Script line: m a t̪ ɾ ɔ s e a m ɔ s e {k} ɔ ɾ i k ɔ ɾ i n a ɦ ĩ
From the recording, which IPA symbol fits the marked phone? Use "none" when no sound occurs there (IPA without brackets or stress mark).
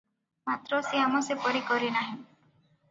p